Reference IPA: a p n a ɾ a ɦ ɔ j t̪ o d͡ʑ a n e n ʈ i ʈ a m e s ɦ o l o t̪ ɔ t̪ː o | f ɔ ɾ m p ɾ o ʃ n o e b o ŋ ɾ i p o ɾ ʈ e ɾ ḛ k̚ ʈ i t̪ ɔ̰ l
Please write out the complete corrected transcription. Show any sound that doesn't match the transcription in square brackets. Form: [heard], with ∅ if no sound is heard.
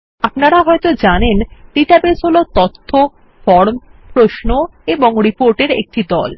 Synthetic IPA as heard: a p n a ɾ a ɦ ɔ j t̪ o d͡ʑ a n e n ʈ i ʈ a [b] e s ɦ o l o t̪ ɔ [t̪ʰː] o | f ɔ ɾ m p ɾ o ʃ n o e b o ŋ ɾ i p o ɾ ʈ e ɾ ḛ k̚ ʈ i [d̪] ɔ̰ l